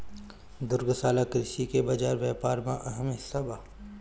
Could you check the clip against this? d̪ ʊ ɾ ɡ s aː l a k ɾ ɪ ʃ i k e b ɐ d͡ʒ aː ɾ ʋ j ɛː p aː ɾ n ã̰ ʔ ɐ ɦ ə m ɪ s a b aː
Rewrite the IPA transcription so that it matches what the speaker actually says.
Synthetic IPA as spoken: d̪ ʊ ɾ ɡ s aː l a k ɾ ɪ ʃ i k e b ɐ d͡ʒ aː ɾ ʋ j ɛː p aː ɾ m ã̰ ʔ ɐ ɦ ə m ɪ s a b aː